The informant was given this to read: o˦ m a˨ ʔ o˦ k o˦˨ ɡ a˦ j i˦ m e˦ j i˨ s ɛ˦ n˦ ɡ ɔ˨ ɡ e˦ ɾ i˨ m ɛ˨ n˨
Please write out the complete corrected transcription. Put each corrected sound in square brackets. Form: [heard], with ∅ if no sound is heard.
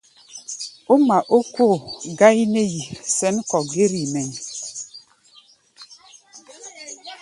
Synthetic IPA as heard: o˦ m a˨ ʔ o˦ k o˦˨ ɡ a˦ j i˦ [n] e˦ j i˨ s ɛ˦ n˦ [k] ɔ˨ ɡ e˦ ɾ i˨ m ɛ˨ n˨